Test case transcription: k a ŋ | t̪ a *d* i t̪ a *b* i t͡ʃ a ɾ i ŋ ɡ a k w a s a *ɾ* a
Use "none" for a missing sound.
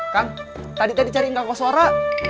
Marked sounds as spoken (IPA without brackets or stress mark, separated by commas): d, d, ɾ